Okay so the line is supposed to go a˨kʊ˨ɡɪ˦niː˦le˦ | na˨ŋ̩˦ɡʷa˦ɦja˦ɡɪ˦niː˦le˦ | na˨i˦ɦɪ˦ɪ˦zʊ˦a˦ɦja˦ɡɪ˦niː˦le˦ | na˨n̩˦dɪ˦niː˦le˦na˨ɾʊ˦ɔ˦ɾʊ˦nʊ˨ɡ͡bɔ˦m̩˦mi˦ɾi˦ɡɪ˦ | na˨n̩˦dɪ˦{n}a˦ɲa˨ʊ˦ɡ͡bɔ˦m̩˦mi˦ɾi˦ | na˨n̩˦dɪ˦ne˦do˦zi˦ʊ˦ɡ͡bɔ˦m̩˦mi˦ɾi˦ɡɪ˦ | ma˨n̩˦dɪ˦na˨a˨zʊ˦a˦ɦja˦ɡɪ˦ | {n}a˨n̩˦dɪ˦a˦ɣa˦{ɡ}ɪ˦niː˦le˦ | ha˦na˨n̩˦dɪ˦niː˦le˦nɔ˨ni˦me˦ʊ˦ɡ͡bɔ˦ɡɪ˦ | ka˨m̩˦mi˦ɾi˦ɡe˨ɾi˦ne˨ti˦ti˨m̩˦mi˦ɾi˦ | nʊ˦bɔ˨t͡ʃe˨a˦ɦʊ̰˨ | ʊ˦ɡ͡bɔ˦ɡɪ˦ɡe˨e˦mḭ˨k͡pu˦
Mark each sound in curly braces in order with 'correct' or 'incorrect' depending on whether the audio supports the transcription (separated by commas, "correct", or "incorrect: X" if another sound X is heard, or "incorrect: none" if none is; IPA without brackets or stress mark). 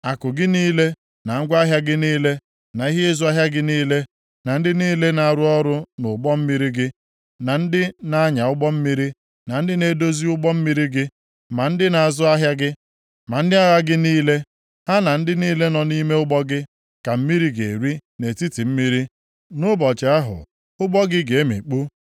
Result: correct, incorrect: m, correct